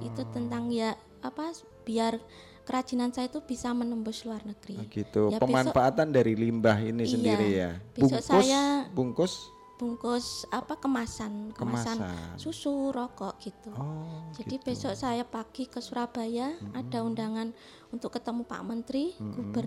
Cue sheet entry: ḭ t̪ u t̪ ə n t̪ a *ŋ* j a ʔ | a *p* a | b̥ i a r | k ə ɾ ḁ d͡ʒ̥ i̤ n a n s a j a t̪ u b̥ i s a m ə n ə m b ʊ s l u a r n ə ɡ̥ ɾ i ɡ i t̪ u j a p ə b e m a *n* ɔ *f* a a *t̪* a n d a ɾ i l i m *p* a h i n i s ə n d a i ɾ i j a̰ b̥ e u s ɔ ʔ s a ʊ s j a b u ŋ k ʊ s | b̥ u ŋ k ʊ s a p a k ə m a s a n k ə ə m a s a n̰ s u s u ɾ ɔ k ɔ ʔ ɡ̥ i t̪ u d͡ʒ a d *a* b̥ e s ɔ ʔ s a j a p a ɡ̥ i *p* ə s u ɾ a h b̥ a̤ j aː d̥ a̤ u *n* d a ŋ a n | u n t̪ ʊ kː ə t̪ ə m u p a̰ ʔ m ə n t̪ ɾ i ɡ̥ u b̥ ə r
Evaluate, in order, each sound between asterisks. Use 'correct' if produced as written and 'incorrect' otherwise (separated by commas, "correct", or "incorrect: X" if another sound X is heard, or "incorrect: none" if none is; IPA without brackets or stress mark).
correct, correct, correct, correct, correct, incorrect: b, incorrect: i, incorrect: k, correct